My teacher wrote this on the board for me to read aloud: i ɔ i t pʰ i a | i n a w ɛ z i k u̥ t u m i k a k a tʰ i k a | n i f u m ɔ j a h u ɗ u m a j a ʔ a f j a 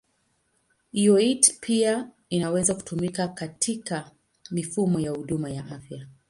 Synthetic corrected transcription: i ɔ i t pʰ i a | i n a w ɛ z a k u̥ t u m i k a k a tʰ i k a | m i f u m ɔ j a h u ɗ u m a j a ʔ a f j a